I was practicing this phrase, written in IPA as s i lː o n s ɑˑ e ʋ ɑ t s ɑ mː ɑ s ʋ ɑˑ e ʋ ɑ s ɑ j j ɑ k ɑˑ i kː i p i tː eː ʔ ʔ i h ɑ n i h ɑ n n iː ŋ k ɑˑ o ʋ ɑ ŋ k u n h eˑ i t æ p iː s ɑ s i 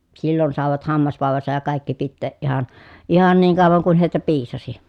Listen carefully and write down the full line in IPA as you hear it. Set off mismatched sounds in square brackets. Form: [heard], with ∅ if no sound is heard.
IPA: s i lː o n s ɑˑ e ʋ ɑ t [h] ɑ mː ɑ s ʋ ɑˑ e ʋ ɑ s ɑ j j ɑ k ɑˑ i kː i p i tː eː ʔ ʔ i h ɑ n i h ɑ n n iː ŋ k ɑˑ o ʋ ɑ ŋ k u n h eˑ i t æ p iː s ɑ s i